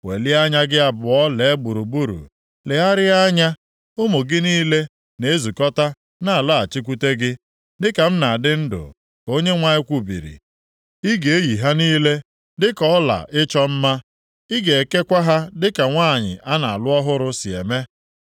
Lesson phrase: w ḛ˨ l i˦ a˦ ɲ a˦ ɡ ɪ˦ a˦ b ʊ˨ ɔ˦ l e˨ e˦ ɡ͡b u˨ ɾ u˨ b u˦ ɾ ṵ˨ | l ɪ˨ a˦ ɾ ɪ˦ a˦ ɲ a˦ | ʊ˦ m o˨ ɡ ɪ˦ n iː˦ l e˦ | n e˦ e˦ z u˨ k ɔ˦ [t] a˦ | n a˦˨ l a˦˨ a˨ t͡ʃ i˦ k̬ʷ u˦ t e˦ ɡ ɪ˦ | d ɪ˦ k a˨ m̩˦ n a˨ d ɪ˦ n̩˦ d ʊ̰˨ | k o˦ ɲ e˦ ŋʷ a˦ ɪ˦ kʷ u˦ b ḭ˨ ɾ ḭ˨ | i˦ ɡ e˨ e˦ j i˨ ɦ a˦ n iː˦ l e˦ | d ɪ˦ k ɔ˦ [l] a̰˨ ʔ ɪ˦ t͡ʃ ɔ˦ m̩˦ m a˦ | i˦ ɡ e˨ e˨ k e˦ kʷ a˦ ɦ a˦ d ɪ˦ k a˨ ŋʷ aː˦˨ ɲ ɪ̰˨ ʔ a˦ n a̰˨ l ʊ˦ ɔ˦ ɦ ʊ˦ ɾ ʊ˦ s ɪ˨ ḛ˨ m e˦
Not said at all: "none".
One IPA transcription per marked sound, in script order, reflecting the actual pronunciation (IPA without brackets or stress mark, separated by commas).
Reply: t, l